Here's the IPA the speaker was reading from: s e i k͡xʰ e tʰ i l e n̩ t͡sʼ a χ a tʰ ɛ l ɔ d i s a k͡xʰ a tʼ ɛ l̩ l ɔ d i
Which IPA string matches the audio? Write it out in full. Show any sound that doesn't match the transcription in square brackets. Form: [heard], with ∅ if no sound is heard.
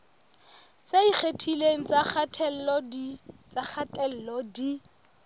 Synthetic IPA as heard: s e i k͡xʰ e tʰ i l e [ŋ̩] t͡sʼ a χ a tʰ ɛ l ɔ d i [t͡s] a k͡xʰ a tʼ ɛ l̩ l ɔ d i